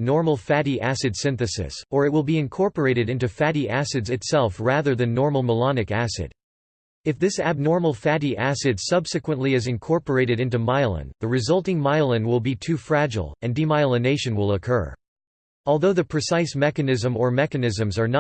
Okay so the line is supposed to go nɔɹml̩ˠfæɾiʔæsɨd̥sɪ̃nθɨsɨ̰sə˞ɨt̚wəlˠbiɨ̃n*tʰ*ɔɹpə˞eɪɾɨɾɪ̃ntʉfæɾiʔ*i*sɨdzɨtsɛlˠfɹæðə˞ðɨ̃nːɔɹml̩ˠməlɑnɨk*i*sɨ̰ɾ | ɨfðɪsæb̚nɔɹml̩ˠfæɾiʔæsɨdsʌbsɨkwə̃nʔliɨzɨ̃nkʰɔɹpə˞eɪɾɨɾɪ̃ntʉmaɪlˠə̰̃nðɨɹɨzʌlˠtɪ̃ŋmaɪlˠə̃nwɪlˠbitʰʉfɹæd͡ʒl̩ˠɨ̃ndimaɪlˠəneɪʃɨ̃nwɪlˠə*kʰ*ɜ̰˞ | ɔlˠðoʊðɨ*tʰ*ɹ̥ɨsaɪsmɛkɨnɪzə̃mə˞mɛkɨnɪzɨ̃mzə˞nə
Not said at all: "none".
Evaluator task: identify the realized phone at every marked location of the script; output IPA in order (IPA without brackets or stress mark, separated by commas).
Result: kʰ, æ, æ, kʰ, pʰ